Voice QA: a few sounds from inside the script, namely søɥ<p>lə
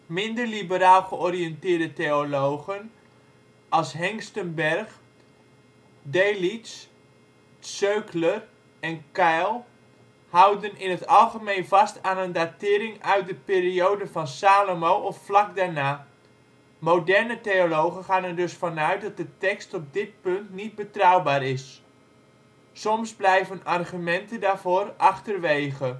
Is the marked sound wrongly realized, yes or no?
yes